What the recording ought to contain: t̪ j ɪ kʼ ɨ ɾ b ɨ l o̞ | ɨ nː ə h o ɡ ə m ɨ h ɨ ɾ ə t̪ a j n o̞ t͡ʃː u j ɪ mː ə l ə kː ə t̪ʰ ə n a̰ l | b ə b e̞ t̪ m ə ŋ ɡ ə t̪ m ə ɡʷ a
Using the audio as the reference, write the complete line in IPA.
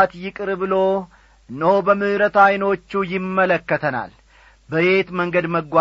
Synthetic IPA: t̪ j ɪ kʼ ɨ ɾ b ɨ l o̞ | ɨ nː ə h o b ə m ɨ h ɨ ɾ ə t̪ a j n o̞ t͡ʃː u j ɪ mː ə l ə kː ə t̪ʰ ə n a̰ l | b ə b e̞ t̪ m ə ŋ ɡ ə d̪ m ə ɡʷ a